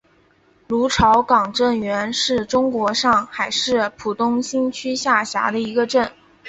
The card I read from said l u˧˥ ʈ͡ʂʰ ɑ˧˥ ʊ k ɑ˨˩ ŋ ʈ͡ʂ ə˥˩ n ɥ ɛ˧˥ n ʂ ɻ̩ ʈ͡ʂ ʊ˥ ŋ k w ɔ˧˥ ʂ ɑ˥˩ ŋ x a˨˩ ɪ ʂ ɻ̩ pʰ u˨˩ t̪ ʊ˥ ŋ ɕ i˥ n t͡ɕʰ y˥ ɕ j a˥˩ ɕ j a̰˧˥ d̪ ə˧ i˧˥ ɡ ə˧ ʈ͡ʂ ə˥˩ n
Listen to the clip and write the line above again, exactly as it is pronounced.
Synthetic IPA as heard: l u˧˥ ʈ͡ʂʰ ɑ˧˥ ʊ k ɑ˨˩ ŋ ʈ͡ʂ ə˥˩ n ɥ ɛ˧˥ n ʂ ɻ̩ ʈ͡ʂ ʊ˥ ŋ k w ɔ˧˥ ʂ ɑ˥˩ ŋ x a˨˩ ɪ ʂ ɻ̩ pʰ u˨˩ t̪ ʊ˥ ŋ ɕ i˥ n t͡ɕʰ y˥ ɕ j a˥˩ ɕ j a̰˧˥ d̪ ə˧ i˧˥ ɡ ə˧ ʈ͡ʂ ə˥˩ n